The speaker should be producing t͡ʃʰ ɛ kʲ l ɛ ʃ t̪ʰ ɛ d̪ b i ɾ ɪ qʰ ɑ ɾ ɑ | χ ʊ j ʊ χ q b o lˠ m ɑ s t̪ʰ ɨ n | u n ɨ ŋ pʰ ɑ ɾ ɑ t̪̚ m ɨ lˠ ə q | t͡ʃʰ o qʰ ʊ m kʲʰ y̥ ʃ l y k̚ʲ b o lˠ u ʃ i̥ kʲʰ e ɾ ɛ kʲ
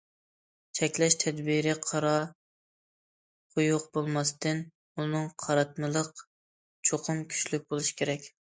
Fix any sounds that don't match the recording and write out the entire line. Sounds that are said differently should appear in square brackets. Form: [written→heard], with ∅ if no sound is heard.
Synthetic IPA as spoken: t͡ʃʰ ɛ kʲ l ɛ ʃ t̪ʰ ɛ d̪ b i ɾ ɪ qʰ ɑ ɾ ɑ | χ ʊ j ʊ [χ→∅] q b o lˠ m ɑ s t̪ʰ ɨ n | u n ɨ ŋ [pʰ→qʰ] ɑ ɾ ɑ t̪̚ m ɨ lˠ ə q | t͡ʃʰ o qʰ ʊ m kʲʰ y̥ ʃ l y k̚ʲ b o lˠ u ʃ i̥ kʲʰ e ɾ ɛ kʲ